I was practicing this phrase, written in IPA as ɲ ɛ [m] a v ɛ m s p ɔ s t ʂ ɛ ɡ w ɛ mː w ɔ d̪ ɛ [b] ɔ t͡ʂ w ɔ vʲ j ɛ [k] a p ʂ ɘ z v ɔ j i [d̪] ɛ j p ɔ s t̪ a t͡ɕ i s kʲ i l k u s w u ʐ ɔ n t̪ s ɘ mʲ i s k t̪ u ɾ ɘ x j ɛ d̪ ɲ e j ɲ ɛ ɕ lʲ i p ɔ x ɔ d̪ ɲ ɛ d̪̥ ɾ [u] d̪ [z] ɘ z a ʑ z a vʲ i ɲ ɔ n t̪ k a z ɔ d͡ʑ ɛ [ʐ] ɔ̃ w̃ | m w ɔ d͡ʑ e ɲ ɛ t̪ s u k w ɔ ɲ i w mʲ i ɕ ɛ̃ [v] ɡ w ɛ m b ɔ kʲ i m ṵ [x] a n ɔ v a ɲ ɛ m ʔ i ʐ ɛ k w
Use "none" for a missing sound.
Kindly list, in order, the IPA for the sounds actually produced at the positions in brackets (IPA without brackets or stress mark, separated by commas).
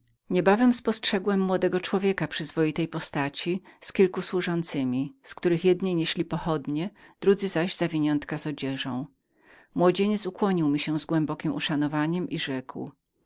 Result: b, ɡ, k, t̪, u, z, ʐ, z, ʂ